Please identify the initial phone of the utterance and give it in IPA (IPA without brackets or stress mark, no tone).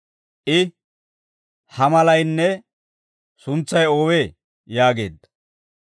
ʔ